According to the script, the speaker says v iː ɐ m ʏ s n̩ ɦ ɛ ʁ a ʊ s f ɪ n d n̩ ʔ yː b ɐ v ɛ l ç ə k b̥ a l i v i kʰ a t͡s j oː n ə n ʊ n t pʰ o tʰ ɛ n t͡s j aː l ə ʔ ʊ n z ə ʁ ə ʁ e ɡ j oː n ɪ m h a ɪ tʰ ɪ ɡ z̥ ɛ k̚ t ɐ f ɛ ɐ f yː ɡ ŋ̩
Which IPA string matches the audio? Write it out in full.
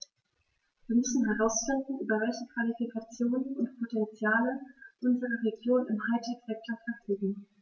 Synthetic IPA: v iː ɐ m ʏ s n̩ ɦ ɛ ʁ a ʊ s f ɪ n d n̩ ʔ yː b ɐ v ɛ l ç ə k v̥ a l i f i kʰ a t͡s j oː n ə n ʊ n t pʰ o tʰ ɛ n t͡s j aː l ə ʔ ʊ n z ə ʁ ə ʁ e ɡ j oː n ɪ m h a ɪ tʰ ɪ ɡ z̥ ɛ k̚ t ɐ f ɛ ɐ f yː ɡ ŋ̩